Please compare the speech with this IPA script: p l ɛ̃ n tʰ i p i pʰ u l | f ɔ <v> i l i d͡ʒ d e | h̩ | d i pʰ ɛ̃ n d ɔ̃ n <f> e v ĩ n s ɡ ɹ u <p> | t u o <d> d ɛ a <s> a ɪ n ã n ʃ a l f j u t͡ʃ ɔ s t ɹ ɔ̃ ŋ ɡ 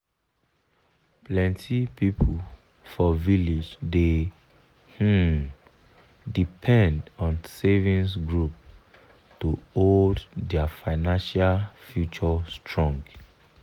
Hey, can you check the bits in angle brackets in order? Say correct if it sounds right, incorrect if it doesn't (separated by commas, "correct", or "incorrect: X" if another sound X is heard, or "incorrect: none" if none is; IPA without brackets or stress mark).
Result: correct, incorrect: s, correct, correct, incorrect: f